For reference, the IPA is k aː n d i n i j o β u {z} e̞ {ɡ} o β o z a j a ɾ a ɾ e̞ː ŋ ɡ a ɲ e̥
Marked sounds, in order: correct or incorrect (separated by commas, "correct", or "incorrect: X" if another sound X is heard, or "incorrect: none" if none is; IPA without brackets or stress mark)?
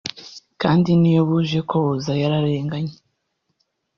incorrect: ʒ, incorrect: k